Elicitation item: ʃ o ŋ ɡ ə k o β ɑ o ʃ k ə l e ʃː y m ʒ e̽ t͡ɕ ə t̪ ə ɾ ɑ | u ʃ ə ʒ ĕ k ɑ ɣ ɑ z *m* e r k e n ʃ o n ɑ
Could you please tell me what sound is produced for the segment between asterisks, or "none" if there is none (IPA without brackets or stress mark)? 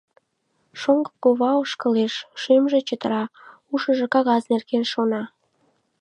n